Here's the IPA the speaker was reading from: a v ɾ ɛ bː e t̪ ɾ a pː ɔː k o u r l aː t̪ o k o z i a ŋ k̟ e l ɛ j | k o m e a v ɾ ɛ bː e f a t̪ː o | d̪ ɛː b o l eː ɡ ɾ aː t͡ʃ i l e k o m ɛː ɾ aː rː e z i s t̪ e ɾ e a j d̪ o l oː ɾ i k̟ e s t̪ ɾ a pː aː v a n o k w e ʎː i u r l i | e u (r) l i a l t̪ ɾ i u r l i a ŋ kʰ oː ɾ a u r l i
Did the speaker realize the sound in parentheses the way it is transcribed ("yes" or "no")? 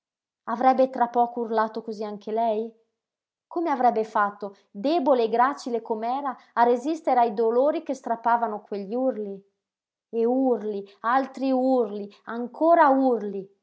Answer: yes